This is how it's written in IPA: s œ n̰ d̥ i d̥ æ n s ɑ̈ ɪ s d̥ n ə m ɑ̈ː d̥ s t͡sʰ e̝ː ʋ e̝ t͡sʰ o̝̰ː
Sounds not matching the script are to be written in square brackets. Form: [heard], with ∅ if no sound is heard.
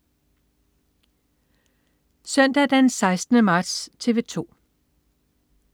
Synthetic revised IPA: s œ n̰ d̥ [æ] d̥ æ n s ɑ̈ ɪ s d̥ n ə m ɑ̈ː d̥ s t͡sʰ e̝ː ʋ e̝ t͡sʰ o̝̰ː